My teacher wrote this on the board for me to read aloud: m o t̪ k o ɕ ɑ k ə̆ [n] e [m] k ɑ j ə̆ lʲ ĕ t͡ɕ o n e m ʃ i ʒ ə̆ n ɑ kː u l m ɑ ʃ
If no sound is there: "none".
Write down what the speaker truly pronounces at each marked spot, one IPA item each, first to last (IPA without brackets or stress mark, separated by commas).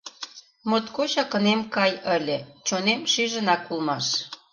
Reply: n, m